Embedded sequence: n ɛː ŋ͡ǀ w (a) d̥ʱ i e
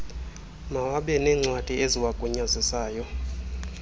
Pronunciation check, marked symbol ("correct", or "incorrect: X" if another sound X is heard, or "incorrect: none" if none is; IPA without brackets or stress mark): correct